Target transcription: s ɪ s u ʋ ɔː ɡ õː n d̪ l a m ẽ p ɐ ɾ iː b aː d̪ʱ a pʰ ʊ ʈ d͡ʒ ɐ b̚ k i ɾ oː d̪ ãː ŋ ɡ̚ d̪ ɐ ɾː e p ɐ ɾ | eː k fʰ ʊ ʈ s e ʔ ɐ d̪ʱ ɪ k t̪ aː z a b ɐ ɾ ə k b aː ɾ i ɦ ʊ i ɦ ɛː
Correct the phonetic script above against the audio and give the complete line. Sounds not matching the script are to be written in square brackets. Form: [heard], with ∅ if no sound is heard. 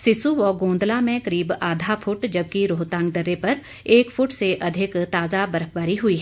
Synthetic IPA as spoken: s ɪ s u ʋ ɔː ɡ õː n d̪ l a m ẽ [k] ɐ ɾ iː b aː d̪ʱ a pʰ ʊ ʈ d͡ʒ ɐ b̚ k i ɾ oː [t̪] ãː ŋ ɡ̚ d̪ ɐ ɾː e p ɐ ɾ | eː k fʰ ʊ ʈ s e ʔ ɐ d̪ʱ ɪ k t̪ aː z a b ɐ ɾ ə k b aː ɾ i ɦ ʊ i ɦ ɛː

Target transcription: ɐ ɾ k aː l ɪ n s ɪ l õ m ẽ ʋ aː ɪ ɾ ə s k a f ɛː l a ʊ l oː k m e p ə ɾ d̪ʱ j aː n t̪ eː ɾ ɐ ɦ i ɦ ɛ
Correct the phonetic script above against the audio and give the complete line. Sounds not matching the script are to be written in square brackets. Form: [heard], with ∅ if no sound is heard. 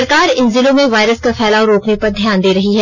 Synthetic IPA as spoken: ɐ ɾ k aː [ɾ] ɪ n [z] ɪ l õ m ẽ ʋ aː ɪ ɾ ə s k a f ɛː l a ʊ [ɾ] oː k [n] e p [ɐ] ɾ d̪ʱ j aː n [d̪] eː ɾ ɐ ɦ i ɦ ɛ

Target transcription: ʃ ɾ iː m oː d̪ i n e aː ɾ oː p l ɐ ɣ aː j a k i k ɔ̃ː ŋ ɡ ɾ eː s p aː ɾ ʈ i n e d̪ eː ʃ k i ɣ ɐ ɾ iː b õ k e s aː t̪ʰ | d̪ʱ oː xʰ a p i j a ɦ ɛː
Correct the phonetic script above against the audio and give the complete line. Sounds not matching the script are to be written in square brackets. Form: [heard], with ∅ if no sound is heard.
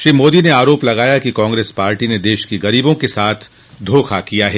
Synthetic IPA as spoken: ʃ ɾ iː m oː d̪ i n e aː ɾ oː p l ɐ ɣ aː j a k i k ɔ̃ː ŋ ɡ ɾ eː s p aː ɾ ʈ i n e d̪ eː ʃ k i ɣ ɐ ɾ iː b õ k e s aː t̪ʰ | d̪ʱ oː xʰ a [k] i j a ɦ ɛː

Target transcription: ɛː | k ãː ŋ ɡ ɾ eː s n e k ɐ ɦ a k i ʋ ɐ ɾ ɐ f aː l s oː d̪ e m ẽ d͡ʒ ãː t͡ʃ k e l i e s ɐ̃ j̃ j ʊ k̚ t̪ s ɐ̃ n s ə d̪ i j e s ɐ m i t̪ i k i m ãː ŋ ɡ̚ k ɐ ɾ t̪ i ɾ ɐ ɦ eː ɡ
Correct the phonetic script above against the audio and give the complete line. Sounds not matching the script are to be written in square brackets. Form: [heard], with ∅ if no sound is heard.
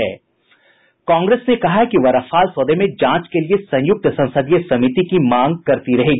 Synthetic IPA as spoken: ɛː | k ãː ŋ ɡ ɾ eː s n e k ɐ ɦ a k i ʋ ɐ ɾ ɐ f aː l s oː d̪ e m ẽ d͡ʒ ãː t͡ʃ k e l i e s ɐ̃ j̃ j ʊ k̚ t̪ s ɐ̃ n s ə d̪ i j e s ɐ m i t̪ i k i m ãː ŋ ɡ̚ k ɐ ɾ t̪ i ɾ ɐ ɦ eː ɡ

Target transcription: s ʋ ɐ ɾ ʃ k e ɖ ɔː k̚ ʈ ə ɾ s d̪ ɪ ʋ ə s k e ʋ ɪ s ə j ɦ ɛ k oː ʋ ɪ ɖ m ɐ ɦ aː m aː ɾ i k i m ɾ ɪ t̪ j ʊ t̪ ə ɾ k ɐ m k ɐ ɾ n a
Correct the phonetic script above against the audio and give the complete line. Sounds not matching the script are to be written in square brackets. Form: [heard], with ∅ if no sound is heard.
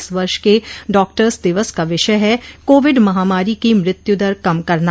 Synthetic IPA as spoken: s ʋ ɐ ɾ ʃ k e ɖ ɔː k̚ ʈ ə ɾ s d̪ ɪ ʋ ə s k [a] ʋ ɪ [ʃ] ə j ɦ ɛ k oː ʋ ɪ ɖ m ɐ ɦ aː m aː ɾ i k i m ɾ ɪ t̪ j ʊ [d̪] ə ɾ k ɐ m k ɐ ɾ n a

